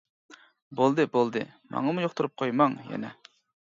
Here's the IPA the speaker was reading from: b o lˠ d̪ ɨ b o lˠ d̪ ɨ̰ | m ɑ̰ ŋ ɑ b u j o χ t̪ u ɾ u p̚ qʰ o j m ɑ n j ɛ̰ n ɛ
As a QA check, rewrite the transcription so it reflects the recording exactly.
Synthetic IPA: b o lˠ d̪ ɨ b o lˠ d̪ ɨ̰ | m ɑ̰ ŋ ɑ m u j o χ t̪ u ɾ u p̚ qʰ o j m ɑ ŋ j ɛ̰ n ɛ